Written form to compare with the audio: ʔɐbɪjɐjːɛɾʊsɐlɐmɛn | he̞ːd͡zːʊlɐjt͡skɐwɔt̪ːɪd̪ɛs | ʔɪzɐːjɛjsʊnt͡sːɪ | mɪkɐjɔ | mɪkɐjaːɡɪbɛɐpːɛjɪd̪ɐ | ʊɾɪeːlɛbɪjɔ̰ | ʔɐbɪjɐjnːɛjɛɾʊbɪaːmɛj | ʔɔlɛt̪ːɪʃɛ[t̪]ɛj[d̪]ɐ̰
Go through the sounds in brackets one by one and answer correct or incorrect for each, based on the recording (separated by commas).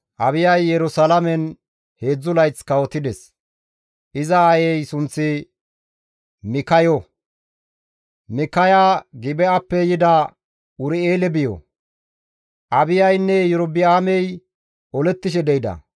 incorrect, correct